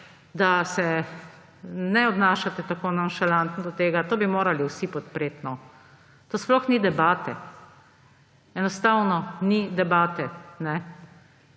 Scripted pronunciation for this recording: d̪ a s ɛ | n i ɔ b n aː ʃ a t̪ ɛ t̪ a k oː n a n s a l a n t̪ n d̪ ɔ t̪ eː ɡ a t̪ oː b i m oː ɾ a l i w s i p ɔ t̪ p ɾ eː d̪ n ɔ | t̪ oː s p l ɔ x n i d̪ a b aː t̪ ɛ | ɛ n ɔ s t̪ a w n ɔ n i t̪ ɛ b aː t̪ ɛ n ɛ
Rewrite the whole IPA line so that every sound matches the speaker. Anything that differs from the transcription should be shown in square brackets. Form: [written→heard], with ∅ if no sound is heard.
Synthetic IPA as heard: d̪ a s ɛ | n [i→ɛ] ɔ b n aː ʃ a t̪ ɛ t̪ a k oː n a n [s→ʃ] a l a n t̪ n d̪ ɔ t̪ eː ɡ a t̪ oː b i m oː ɾ a l i w s i p ɔ t̪ p ɾ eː [d̪→t̪] n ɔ | t̪ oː s p l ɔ x n i d̪ [a→ɛ] b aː t̪ ɛ | ɛ n ɔ s t̪ a w n ɔ n i [t̪→d̪] ɛ b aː t̪ ɛ n ɛ